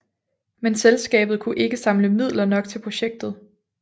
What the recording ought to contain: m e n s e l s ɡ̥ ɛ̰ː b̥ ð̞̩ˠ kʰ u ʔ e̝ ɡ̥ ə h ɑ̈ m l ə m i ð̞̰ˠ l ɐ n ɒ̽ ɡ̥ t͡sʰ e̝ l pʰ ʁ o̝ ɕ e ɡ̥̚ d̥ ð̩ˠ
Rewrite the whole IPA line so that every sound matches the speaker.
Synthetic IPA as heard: m e n s e l s ɡ̥ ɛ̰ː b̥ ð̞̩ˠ kʰ u ʔ e̝ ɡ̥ ə s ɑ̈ m l ə m i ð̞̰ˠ l ɐ n ɒ̽ ɡ̥ t͡sʰ e̝ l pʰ ʁ o̝ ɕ e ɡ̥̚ d̥ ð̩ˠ